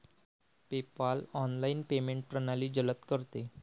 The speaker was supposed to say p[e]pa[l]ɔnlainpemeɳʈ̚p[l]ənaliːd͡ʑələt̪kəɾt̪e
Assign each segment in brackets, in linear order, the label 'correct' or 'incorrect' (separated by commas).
correct, correct, incorrect